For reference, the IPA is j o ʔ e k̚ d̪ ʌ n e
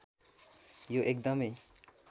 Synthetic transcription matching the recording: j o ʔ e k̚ d̪ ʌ m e